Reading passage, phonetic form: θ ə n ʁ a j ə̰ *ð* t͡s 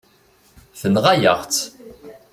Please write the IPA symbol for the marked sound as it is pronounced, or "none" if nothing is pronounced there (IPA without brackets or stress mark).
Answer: ʁ